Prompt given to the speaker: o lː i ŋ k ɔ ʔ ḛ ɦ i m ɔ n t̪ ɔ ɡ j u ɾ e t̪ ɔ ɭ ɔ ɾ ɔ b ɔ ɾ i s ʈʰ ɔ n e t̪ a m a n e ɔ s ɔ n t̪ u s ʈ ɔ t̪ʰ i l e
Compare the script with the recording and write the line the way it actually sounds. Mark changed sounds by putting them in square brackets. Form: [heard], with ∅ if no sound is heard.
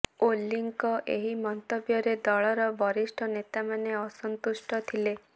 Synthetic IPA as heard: o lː i ŋ k ɔ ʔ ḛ ɦ i m ɔ n t̪ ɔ [b] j [ɔ] ɾ e [d̪] ɔ ɭ ɔ ɾ ɔ b ɔ ɾ i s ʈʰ ɔ n e t̪ a m a n e ɔ s ɔ n t̪ u s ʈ ɔ t̪ʰ i l e